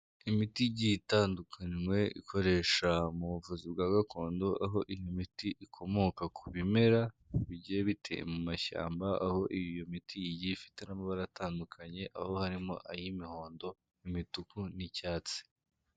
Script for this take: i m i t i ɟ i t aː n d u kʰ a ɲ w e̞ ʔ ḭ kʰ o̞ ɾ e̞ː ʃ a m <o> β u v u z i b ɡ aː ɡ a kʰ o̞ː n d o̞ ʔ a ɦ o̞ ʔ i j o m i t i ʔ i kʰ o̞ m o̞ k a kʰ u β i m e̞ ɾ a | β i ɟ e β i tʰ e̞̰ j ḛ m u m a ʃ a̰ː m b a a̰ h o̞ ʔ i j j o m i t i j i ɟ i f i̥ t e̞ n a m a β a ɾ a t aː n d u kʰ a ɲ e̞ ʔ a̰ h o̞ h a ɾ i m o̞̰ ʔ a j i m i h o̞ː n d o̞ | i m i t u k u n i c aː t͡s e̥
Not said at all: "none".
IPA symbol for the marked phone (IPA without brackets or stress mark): u